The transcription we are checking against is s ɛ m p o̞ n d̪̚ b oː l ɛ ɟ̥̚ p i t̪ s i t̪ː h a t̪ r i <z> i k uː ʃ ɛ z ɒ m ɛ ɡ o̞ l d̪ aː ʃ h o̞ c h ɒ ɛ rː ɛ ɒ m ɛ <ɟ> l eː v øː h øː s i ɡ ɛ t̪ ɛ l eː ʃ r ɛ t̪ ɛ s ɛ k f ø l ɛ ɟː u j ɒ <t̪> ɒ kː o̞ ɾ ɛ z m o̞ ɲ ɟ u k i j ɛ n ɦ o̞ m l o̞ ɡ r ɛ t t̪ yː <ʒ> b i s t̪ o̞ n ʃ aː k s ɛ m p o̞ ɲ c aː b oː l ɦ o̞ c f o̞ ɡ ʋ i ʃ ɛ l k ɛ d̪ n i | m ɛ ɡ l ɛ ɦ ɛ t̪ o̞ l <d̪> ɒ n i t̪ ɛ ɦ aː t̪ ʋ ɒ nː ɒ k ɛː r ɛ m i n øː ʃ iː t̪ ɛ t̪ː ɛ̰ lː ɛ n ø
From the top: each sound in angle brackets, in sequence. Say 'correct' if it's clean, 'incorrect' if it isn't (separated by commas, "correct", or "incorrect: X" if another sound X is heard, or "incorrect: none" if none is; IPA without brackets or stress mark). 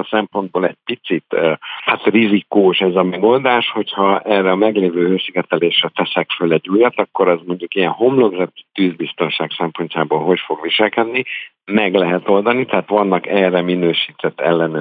correct, incorrect: ɡ, correct, incorrect: z, correct